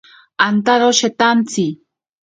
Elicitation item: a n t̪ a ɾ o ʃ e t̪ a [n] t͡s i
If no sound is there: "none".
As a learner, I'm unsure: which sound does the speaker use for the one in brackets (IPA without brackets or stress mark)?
n